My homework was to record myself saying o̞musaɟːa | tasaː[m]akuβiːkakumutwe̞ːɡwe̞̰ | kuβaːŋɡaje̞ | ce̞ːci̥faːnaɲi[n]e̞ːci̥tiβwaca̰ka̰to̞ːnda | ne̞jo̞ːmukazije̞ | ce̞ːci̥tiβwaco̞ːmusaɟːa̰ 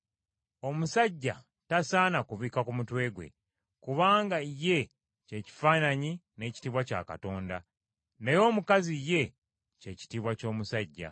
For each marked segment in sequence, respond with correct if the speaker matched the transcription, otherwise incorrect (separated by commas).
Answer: incorrect, correct